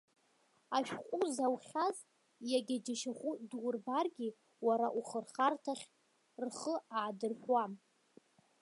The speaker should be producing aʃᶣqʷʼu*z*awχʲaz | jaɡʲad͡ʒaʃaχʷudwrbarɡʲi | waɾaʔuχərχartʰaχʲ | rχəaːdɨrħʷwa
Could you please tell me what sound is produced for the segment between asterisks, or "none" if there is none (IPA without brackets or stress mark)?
z